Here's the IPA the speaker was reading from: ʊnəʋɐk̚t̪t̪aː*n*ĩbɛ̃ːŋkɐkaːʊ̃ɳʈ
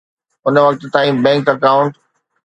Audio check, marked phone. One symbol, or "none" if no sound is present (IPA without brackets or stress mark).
none